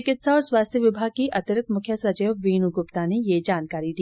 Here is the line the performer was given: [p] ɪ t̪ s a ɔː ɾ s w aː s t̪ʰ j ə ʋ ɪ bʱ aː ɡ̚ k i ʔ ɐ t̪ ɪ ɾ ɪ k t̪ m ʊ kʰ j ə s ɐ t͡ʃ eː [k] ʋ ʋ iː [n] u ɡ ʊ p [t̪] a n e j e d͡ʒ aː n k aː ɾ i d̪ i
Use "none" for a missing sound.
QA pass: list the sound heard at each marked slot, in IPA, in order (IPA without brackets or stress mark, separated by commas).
k, none, n, t̪